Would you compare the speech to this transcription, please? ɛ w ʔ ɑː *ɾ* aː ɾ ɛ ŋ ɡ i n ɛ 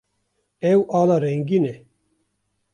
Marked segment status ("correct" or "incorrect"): incorrect